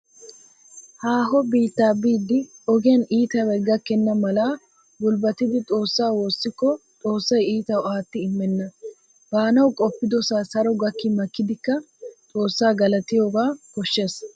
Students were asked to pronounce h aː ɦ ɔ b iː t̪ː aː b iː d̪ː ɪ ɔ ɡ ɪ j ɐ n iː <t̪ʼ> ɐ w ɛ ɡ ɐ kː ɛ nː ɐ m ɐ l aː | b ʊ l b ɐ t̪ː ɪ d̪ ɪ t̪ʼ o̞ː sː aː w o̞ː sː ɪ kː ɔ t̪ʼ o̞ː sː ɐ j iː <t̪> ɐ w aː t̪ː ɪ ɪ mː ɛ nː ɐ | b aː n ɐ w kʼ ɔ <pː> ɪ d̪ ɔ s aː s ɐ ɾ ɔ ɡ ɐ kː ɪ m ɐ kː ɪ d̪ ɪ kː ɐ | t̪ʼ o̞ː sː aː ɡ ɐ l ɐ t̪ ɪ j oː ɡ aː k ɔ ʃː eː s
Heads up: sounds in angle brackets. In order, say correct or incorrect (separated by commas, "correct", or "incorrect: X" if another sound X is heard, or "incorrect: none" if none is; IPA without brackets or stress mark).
incorrect: t̪, correct, correct